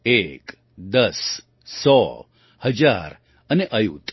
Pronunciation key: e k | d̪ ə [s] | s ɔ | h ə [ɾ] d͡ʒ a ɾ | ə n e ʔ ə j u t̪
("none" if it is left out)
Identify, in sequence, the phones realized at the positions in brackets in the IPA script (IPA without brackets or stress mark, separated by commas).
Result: s, none